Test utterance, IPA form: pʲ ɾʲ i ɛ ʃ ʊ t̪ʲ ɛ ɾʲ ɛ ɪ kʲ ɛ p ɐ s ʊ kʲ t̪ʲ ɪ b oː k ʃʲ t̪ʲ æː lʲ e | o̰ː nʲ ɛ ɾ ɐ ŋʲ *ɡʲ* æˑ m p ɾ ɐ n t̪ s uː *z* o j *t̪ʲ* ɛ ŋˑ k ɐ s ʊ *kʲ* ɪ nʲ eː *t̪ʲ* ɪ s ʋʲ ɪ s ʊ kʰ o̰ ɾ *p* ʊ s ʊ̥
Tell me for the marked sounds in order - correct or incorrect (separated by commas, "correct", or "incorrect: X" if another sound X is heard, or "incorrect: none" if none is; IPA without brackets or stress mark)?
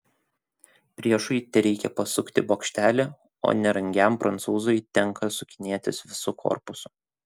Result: correct, correct, correct, correct, correct, correct